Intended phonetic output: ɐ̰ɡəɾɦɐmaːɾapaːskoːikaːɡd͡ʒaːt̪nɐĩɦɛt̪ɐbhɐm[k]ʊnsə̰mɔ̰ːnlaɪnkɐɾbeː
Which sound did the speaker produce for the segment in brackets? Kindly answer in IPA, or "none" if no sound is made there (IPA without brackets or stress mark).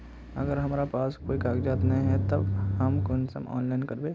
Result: k